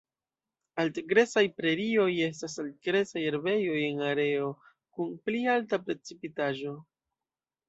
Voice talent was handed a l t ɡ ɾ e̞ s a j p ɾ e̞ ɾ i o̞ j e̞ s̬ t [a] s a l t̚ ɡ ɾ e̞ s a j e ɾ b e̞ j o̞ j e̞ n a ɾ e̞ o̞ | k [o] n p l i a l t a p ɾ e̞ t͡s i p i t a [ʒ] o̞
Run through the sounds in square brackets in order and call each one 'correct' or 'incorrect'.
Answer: correct, incorrect: u, correct

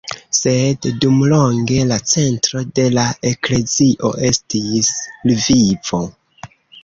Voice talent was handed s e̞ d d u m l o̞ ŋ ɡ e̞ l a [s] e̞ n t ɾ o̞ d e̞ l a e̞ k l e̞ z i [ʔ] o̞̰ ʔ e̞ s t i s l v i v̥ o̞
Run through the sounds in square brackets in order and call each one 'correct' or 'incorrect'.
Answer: incorrect: t͡s, correct

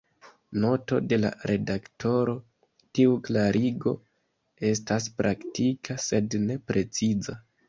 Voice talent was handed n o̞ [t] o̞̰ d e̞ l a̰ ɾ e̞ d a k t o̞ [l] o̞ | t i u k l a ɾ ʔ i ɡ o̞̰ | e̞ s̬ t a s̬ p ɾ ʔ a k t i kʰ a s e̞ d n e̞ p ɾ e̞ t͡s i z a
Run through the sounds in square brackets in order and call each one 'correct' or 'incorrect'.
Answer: correct, incorrect: ɾ

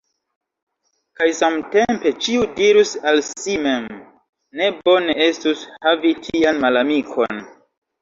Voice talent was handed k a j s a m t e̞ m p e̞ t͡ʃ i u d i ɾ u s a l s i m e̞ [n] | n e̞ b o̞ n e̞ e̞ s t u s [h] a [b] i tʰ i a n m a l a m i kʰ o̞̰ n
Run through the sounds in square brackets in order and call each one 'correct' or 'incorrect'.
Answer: incorrect: m, correct, incorrect: v

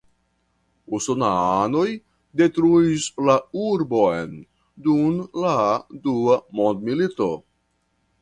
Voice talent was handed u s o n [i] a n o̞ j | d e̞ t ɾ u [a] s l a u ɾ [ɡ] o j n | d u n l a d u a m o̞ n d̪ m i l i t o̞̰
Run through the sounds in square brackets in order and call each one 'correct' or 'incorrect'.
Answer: incorrect: a, incorrect: i, incorrect: b

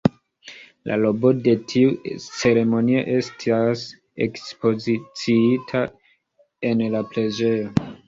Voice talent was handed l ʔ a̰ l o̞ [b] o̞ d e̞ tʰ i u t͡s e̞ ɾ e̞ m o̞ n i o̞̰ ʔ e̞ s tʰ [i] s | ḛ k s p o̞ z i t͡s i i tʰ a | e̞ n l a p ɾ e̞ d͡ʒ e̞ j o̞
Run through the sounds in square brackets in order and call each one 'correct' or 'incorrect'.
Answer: correct, incorrect: a

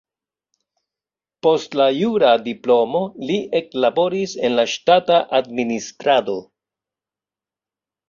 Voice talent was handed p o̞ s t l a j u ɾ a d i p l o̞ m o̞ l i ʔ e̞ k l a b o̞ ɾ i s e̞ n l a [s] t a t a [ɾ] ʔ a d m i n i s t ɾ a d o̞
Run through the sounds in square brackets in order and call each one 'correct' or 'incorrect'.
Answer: incorrect: ʃ, incorrect: none

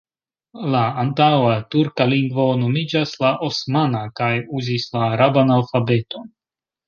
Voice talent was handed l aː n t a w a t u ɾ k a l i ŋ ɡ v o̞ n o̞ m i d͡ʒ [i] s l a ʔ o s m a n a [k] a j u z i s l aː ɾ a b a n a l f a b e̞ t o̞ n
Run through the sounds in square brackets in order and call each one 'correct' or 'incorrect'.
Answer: incorrect: a, correct

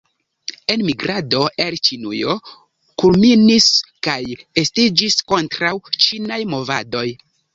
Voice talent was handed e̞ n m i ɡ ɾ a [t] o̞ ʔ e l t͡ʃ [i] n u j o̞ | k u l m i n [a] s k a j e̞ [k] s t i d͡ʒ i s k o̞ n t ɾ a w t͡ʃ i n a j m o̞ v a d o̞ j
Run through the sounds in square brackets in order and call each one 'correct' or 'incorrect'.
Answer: incorrect: d, correct, incorrect: i, incorrect: none

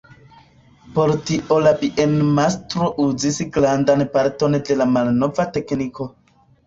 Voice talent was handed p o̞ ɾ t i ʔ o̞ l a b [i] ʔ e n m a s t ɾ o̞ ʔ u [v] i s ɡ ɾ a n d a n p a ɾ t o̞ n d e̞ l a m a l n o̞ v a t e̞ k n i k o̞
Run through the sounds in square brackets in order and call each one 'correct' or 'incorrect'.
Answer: correct, incorrect: z

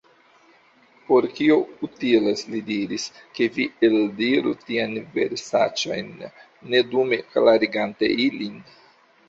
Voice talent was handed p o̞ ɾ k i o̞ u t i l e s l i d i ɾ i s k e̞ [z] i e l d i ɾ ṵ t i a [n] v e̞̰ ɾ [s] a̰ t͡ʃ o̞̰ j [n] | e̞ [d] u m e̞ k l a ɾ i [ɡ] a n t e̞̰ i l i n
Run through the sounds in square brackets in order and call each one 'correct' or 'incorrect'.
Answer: incorrect: v, correct, correct, incorrect: nː, correct, correct

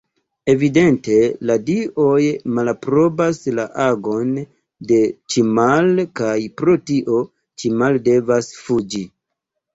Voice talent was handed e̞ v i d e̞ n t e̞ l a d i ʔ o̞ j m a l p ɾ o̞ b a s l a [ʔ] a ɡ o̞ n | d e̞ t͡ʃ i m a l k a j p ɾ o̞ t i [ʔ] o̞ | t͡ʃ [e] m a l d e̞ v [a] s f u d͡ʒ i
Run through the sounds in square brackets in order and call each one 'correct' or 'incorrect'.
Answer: correct, correct, incorrect: i, correct

